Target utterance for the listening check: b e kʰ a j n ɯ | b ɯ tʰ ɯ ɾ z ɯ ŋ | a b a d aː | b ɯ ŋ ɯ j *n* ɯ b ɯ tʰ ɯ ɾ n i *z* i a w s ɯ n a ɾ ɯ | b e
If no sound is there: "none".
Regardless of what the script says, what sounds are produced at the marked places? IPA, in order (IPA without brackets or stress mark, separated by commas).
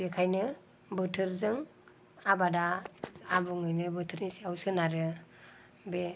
n, s